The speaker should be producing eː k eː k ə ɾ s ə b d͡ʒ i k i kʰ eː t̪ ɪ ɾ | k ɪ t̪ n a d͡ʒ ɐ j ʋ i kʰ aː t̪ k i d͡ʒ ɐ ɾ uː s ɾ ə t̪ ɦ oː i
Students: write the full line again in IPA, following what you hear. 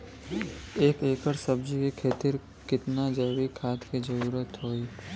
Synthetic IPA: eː k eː k ə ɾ s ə b d͡ʒ i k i kʰ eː t̪ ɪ ɾ | k ɪ t̪ n a d͡ʒ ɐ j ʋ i kʰ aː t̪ k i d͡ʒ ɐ ɾ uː ɾ ə t̪ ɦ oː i